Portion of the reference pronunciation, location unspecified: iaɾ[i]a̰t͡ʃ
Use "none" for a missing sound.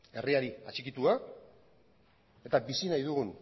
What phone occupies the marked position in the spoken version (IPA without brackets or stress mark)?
i